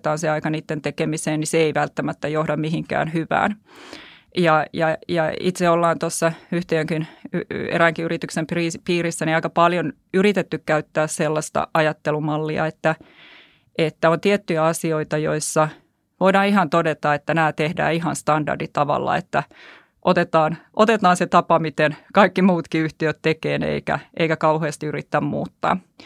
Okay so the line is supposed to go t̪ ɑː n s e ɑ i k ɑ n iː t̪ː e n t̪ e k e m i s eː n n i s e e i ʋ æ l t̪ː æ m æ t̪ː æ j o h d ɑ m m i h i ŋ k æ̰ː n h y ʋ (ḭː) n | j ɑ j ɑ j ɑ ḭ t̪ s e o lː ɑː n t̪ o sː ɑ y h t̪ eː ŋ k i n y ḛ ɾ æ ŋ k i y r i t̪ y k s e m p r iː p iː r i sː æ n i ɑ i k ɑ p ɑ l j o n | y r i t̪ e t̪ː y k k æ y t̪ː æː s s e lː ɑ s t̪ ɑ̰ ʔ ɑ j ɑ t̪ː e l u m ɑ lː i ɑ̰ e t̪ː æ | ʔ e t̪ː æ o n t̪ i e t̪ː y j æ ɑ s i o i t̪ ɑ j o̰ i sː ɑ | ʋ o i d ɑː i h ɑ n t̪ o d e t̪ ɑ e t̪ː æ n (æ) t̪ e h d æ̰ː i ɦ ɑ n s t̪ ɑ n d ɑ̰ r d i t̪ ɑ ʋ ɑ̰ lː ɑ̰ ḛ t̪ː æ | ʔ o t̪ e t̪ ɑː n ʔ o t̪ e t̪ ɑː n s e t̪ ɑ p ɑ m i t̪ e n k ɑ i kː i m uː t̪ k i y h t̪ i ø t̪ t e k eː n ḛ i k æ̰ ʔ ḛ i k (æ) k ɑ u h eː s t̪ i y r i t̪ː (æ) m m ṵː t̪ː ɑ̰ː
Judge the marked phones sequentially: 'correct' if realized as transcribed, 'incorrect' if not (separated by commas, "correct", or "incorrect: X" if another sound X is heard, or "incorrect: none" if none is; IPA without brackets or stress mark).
incorrect: æ̰ː, incorrect: æː, correct, correct